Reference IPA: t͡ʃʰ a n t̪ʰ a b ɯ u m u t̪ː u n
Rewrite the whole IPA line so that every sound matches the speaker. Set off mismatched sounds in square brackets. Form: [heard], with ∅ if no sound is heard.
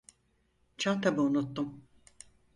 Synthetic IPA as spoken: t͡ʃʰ a n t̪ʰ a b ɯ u [n] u t̪ː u [m]